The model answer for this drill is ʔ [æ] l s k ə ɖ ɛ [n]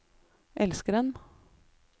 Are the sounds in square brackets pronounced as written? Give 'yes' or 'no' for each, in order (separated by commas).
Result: no, yes